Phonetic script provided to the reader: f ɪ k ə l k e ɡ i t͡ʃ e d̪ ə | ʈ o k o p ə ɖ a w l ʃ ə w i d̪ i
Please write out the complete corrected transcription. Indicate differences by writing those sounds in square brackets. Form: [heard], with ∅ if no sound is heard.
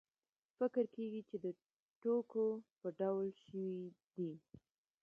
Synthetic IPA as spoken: f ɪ k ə [ɾ] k e ɡ i t͡ʃ e d̪ ə | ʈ o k o p ə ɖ a w l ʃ ə w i d̪ i